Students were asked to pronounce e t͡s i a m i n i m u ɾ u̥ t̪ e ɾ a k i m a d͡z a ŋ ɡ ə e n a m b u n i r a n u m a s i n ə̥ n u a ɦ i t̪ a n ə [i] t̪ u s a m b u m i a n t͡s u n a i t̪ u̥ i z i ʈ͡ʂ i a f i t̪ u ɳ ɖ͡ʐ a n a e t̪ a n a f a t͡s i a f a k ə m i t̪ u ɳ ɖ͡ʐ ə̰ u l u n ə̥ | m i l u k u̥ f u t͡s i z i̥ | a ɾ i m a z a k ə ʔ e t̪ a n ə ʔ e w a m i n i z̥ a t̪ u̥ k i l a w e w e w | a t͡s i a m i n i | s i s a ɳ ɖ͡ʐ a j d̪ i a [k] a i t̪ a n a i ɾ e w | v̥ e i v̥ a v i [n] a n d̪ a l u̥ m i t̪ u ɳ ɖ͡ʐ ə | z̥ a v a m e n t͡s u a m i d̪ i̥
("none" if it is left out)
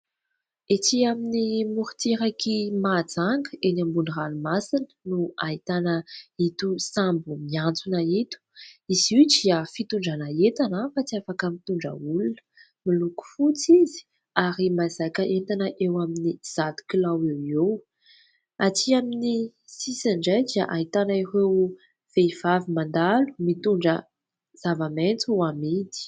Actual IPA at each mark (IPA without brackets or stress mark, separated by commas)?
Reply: i, ʔ, m